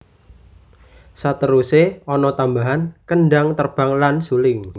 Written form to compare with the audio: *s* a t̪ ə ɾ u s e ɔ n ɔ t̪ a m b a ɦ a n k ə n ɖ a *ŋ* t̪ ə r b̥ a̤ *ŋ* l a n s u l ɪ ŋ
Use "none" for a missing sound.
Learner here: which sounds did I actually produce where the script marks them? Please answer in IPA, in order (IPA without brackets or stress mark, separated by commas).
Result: s, ŋ, ŋ